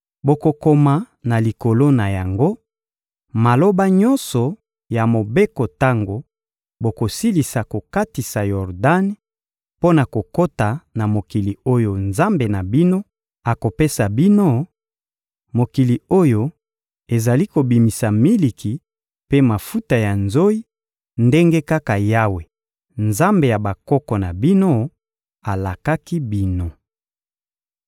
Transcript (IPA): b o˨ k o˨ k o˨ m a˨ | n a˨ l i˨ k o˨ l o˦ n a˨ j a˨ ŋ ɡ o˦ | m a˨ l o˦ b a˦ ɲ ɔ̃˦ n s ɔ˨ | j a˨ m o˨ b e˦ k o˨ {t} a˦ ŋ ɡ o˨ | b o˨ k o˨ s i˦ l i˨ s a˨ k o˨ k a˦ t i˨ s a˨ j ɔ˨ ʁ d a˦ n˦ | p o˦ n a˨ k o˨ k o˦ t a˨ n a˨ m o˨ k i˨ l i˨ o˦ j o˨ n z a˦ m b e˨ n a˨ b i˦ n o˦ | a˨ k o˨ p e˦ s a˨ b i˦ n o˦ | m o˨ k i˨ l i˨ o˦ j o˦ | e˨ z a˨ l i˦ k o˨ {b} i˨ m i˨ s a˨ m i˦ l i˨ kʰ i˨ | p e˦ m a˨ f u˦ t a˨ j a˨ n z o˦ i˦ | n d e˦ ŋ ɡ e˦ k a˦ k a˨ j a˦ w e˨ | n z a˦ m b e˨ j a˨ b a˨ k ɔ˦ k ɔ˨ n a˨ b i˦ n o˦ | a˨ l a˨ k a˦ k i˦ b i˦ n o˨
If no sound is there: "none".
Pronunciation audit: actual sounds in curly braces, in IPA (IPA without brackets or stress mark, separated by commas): t, b